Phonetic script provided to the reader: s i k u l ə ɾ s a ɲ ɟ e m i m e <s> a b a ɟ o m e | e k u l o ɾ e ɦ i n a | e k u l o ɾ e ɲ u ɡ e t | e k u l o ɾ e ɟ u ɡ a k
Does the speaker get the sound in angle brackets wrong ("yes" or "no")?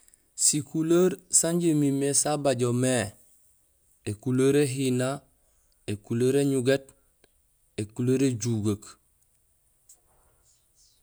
no